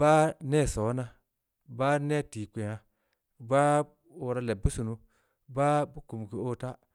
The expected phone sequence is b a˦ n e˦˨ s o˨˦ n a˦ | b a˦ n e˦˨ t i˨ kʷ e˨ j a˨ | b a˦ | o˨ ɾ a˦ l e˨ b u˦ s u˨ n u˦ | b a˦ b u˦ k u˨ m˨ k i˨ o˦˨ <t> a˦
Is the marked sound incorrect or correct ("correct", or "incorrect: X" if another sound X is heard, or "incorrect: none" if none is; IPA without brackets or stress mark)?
correct